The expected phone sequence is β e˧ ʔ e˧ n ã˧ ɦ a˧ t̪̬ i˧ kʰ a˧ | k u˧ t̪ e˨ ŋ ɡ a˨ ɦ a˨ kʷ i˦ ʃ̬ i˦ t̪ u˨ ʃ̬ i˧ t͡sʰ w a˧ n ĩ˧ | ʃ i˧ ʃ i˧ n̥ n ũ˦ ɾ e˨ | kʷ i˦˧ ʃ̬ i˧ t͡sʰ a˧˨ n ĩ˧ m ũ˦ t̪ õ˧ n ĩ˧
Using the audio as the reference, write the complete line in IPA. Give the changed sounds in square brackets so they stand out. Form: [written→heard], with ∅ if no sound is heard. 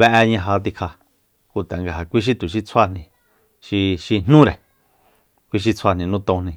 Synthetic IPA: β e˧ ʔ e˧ [n→ɲ] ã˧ ɦ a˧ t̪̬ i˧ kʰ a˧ | k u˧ t̪ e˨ ŋ ɡ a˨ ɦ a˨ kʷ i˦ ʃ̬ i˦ t̪ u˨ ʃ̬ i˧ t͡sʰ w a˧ n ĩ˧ | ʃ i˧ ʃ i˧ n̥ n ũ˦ ɾ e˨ | kʷ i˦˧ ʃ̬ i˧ t͡sʰ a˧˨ n ĩ˧ [m→n] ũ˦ t̪ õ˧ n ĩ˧